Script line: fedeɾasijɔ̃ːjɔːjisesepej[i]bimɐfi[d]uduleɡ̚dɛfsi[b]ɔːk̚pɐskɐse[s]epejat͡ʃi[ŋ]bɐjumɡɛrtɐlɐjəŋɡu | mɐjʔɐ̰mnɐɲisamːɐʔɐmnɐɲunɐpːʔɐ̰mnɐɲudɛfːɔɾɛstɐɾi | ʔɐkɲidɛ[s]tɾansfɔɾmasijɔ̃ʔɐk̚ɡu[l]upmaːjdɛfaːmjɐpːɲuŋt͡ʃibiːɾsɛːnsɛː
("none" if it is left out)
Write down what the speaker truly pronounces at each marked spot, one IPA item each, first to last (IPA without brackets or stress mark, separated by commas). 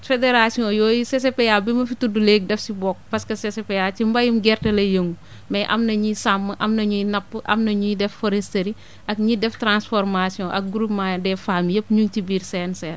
a, t, b, s, m, f, ɾ